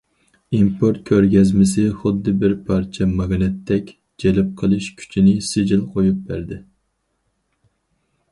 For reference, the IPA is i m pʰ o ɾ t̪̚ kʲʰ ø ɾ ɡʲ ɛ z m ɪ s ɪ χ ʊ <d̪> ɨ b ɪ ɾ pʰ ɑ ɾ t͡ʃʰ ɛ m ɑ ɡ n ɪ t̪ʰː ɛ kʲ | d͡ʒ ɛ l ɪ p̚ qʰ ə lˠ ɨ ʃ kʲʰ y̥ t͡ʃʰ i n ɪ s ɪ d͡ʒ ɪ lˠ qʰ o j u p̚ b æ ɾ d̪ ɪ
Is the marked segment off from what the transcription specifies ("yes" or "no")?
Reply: yes